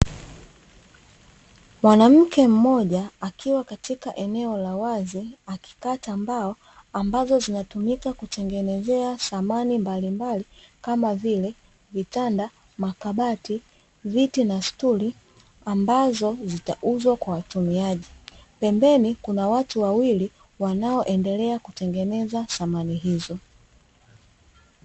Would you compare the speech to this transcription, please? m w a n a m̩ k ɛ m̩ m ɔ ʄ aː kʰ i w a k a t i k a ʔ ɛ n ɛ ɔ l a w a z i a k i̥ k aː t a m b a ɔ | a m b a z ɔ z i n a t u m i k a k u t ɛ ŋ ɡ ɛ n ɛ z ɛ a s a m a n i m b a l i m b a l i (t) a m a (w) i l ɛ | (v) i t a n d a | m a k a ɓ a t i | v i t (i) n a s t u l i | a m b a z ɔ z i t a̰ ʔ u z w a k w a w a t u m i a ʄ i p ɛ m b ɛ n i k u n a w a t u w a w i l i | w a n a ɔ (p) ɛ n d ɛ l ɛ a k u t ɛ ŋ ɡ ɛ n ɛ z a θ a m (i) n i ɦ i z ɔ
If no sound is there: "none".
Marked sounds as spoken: k, v, v, i, ʔ, a

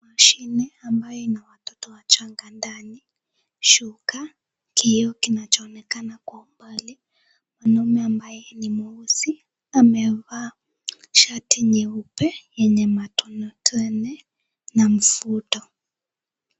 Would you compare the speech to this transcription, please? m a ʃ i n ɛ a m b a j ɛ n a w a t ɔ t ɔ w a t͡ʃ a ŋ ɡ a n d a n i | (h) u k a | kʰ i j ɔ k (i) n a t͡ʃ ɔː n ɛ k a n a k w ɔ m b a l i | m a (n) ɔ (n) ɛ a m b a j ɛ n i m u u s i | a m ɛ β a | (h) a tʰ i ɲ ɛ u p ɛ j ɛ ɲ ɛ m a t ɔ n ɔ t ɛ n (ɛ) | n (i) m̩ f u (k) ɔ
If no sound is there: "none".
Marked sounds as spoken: ʃ, i, n, m, ʃ, ɛ, a, t

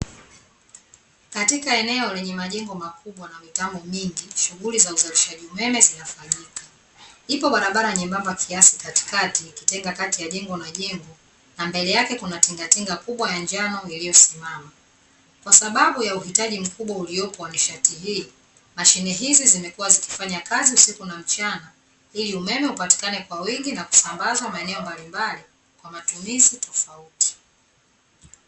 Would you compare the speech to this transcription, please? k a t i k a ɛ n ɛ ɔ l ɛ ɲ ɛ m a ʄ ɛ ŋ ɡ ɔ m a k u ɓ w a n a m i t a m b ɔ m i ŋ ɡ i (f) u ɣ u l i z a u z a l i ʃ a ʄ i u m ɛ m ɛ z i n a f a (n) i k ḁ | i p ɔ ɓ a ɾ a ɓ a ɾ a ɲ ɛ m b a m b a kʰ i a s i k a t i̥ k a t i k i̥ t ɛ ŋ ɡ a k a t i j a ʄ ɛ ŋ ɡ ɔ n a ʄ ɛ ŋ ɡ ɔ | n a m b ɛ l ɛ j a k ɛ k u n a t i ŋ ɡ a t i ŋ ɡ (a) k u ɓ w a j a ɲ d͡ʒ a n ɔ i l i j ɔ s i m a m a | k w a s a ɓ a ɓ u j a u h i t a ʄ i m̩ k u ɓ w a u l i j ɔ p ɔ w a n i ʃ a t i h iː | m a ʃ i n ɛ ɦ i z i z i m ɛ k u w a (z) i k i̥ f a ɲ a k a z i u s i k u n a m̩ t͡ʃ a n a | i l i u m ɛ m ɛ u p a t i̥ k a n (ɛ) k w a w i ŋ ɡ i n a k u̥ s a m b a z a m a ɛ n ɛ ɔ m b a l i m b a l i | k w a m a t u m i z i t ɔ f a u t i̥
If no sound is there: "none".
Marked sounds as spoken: ʃ, ɲ, a, z, ɛ

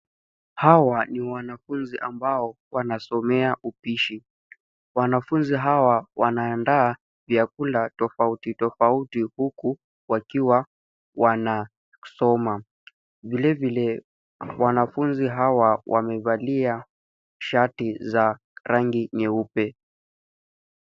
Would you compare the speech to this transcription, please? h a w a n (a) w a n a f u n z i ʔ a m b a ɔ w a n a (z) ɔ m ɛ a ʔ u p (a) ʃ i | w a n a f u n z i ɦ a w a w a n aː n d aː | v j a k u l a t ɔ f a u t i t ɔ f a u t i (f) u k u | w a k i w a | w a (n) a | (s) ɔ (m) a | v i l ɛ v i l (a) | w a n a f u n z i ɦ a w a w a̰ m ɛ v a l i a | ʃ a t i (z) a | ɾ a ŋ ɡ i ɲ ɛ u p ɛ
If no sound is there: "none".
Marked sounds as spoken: i, s, i, h, n, s, m, ɛ, z

